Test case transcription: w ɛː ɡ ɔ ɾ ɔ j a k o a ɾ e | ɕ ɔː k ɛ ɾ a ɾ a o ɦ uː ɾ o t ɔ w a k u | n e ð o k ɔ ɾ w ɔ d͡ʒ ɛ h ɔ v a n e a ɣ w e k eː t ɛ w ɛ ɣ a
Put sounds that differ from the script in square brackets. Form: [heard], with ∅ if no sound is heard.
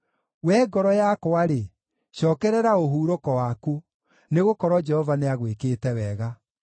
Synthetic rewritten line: w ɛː ɡ ɔ ɾ ɔ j a k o a ɾ e | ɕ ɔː k ɛ ɾ [ɛ] ɾ a o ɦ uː ɾ o [k] ɔ w a k u | n e [ɣ] o k ɔ ɾ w ɔ d͡ʒ ɛ h ɔ v a n e a ɣ w e k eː t ɛ w ɛ ɣ a